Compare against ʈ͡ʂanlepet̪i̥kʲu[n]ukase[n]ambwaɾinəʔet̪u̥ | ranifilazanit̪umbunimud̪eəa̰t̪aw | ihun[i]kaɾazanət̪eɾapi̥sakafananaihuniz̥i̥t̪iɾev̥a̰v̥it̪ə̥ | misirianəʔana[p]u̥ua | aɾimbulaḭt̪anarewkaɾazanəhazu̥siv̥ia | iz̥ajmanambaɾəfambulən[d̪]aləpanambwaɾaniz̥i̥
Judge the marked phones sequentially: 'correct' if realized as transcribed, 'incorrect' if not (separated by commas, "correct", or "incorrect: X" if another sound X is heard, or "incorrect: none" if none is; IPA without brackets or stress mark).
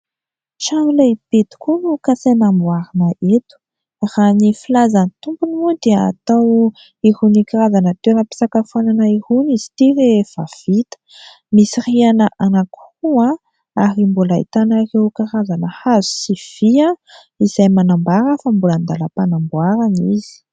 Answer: correct, correct, correct, incorrect: k, correct